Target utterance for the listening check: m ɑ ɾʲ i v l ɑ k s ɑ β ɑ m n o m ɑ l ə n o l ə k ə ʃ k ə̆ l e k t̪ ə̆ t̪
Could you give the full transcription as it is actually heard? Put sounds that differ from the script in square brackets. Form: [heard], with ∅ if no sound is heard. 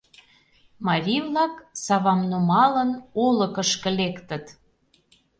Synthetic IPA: m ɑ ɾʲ i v l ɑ k s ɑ β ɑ m n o m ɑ l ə n o l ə k ə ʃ k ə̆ l e k t̪ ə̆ t̪